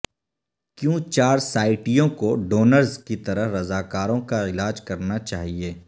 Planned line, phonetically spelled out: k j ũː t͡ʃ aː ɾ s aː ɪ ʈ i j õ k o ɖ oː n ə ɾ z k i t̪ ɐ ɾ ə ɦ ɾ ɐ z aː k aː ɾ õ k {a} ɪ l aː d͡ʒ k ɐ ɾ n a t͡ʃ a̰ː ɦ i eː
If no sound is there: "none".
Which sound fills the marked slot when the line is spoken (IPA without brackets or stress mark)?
a